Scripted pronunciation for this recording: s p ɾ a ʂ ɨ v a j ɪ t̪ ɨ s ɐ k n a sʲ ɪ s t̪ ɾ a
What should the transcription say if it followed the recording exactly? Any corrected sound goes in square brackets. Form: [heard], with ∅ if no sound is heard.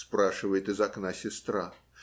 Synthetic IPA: s p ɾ a ʂ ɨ v [ə] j ɪ t̪ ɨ [z] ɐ k n a sʲ ɪ s t̪ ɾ a